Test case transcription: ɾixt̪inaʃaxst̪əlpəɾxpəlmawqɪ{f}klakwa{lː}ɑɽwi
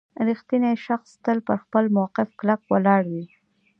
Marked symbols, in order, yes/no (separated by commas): yes, no